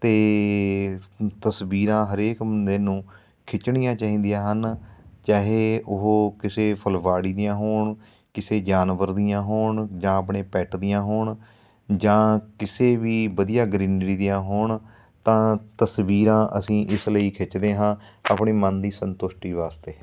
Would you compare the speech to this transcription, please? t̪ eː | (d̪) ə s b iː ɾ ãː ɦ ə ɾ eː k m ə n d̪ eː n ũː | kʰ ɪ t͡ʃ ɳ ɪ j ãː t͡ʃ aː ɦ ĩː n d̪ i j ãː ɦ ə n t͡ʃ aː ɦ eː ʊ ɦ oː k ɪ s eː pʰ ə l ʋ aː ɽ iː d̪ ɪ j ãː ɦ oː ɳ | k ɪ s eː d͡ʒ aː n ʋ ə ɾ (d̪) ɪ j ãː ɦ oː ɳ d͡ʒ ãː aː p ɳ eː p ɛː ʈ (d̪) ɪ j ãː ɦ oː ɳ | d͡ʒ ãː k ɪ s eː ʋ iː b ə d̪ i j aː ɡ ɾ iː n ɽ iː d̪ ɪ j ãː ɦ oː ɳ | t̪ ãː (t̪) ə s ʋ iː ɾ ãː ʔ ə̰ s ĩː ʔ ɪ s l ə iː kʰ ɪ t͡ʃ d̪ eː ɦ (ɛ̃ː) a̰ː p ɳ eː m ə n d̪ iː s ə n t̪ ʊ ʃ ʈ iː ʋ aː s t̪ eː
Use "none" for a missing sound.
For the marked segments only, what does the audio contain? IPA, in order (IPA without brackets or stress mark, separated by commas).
t̪, d̪, d̪, t̪, ãː